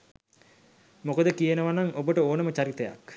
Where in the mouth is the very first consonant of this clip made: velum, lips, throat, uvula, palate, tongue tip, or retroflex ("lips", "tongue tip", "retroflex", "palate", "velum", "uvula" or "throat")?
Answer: lips